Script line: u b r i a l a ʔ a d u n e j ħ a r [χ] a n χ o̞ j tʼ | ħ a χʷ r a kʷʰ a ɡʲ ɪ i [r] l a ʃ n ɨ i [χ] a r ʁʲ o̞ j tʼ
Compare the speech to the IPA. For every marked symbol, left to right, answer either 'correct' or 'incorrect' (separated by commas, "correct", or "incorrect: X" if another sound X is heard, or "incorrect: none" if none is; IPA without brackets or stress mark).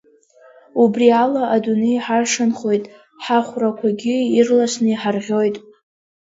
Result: incorrect: ʂ, correct, incorrect: ħ